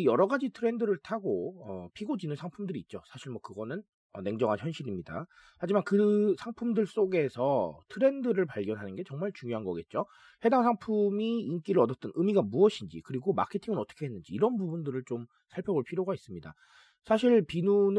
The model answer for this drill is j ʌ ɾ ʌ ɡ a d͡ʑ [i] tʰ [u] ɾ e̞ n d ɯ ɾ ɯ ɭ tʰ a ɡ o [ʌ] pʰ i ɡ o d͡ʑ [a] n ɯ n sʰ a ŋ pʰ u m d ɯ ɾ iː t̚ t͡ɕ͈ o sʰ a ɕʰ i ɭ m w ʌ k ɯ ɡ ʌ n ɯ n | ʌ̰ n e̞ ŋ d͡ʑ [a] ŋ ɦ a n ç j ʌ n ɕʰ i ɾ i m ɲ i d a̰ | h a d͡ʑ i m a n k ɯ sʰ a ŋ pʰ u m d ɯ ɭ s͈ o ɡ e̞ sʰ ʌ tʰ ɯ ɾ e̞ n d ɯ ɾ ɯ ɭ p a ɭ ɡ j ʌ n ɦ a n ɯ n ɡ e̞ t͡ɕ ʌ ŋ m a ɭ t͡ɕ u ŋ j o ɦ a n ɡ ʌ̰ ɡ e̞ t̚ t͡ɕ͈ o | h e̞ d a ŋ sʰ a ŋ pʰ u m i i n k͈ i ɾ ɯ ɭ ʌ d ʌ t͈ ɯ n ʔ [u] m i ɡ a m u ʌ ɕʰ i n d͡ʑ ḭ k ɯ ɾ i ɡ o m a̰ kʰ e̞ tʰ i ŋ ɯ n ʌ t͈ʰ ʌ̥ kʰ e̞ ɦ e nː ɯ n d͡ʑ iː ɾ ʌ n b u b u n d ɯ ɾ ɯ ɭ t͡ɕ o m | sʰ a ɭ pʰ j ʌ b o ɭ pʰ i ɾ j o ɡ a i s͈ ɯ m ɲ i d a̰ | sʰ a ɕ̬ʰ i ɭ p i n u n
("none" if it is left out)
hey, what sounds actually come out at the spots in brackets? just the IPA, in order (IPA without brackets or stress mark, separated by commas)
i, ɯ, ʌ, i, ʌ, ɯ